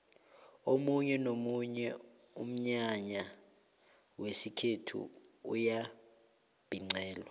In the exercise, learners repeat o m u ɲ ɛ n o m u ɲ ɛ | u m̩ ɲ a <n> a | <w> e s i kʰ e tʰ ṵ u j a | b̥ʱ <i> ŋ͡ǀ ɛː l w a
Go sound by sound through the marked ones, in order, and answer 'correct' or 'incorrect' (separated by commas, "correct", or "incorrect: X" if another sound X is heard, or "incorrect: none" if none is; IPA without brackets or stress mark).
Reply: incorrect: ɲ, correct, correct